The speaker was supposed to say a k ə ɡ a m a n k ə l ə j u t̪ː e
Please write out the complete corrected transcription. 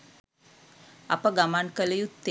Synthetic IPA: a p ə ɡ a m a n k ə l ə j u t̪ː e